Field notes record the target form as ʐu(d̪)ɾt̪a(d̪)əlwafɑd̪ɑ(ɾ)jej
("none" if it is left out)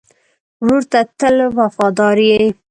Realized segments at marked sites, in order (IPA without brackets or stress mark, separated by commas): none, t̪, ɾ